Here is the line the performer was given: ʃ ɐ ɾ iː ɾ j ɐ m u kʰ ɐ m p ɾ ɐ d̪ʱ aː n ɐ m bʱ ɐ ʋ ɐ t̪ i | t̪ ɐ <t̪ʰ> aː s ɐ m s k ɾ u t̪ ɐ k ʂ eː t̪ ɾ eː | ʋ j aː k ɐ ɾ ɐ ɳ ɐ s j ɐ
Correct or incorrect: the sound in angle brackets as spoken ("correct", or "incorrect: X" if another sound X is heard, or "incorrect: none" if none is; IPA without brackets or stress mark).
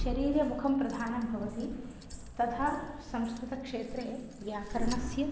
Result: correct